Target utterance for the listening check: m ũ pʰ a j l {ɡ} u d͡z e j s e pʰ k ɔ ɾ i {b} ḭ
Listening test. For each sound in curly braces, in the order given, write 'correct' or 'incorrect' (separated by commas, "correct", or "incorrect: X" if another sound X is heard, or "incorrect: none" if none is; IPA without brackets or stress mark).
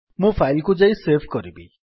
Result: incorrect: k, correct